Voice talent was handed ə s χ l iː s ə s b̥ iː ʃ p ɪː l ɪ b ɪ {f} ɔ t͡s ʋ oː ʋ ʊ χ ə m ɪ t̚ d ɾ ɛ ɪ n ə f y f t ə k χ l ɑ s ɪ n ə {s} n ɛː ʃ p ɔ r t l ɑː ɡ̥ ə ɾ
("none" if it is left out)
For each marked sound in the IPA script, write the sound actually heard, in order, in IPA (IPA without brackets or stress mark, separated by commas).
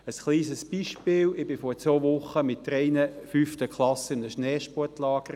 f, ʃ